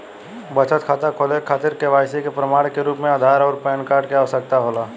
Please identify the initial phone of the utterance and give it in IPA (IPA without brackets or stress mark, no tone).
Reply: b